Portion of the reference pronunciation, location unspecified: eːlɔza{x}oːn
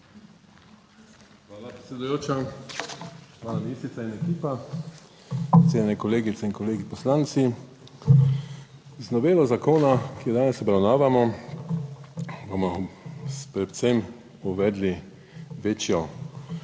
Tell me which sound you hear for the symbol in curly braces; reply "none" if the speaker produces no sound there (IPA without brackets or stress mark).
k